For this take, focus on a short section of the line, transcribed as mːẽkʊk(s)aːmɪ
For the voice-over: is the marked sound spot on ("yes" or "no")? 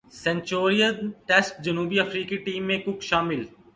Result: no